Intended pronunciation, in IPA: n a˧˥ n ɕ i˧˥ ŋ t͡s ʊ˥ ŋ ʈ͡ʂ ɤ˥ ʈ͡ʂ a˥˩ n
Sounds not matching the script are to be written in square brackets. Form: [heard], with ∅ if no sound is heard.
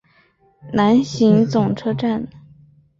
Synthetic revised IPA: n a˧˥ n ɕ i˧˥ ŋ t͡s [ʊ˨˩] ŋ [ʈ͡ʂʰ] ɤ˥ ʈ͡ʂ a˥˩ n